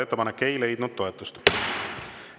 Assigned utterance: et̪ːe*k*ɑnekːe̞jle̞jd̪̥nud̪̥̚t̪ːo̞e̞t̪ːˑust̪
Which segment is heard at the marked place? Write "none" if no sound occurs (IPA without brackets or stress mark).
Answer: p